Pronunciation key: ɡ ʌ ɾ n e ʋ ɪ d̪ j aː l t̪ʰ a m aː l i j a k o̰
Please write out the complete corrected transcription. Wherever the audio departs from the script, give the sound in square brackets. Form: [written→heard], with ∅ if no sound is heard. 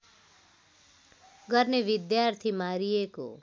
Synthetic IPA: ɡ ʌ ɾ n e ʋ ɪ d̪ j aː [l→ɾ] t̪ʰ [a→i] m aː [l→ɾ] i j [a→e] k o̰